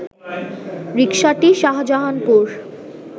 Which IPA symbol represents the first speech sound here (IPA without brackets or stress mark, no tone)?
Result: ɾ